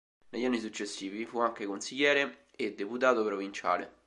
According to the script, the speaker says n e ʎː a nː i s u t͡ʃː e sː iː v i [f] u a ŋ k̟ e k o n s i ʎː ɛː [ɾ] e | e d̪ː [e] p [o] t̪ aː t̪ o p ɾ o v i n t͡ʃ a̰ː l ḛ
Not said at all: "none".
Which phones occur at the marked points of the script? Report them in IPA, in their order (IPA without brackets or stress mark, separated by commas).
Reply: f, ɾ, e, u